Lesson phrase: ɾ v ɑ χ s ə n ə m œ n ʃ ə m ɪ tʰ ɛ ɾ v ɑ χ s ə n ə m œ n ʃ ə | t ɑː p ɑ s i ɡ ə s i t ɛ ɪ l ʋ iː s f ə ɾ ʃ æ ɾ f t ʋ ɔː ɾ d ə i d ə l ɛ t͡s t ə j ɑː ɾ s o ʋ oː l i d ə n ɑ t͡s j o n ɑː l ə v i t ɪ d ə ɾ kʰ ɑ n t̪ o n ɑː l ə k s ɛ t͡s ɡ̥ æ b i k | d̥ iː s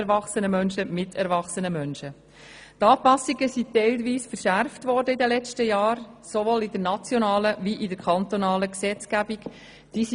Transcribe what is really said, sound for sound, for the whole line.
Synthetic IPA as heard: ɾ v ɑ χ s ə n ə m œ n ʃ ə m ɪ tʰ ɛ ɾ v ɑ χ s ə n ə m œ n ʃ ə | t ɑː p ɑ s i ɡ ə s i t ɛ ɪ l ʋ iː s f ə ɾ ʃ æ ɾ f t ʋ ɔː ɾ d ə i d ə l ɛ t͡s t ə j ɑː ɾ s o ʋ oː l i d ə n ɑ t͡s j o n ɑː l ə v i ʔ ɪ d ə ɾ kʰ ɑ n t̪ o n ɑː l ə k s ɛ t͡s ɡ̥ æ b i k | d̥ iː s